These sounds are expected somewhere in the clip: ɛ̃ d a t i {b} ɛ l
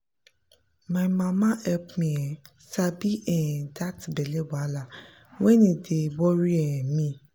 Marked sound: correct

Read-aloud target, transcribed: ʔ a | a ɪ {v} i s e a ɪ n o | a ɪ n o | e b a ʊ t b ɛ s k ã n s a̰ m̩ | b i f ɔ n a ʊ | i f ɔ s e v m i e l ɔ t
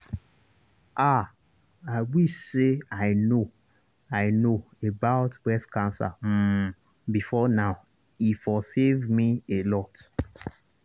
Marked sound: incorrect: w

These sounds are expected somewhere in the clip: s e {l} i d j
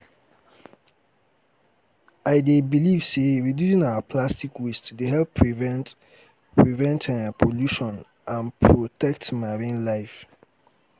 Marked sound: incorrect: ɹ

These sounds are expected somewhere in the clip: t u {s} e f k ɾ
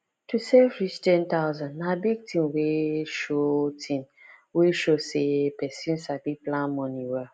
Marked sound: correct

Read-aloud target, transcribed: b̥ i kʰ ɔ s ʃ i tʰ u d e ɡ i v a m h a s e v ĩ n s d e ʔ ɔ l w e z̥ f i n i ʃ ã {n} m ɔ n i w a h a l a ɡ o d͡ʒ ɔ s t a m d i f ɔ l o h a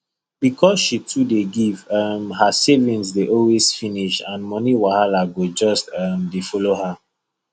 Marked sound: correct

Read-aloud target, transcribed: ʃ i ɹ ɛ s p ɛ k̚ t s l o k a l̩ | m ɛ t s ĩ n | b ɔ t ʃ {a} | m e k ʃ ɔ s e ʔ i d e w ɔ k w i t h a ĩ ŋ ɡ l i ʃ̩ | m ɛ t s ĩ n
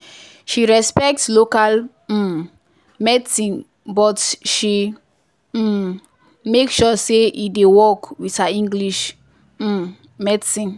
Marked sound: incorrect: i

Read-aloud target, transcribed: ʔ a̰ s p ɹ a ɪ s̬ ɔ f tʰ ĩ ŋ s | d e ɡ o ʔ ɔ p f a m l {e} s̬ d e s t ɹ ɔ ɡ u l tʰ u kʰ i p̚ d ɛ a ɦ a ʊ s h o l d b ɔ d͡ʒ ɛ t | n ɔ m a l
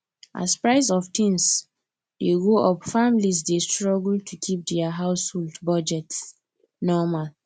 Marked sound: incorrect: i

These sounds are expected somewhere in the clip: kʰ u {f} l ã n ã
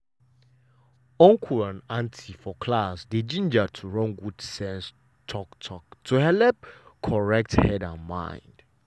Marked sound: incorrect: none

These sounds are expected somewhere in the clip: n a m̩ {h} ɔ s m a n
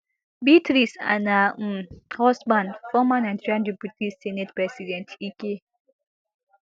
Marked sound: correct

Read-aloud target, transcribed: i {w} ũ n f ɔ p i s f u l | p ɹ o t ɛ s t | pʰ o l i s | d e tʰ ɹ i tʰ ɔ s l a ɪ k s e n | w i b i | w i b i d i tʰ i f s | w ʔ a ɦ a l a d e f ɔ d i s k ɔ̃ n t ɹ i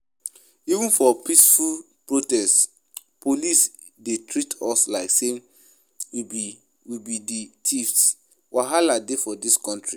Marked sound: incorrect: v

